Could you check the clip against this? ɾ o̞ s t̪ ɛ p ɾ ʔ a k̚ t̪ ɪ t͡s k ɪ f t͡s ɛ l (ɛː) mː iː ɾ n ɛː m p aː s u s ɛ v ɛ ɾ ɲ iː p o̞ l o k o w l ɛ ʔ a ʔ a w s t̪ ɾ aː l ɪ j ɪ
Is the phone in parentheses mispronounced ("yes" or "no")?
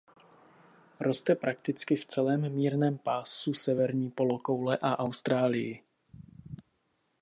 no